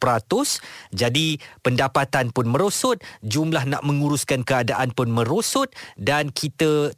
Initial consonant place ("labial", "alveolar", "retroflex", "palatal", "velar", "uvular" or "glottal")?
labial